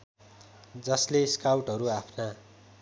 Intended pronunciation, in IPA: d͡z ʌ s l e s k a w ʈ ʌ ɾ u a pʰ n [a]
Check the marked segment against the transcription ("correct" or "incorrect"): correct